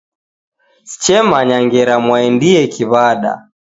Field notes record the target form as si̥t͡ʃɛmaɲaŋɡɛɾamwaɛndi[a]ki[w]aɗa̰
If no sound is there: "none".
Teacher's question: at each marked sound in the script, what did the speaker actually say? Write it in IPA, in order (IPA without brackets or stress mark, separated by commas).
ɛ, β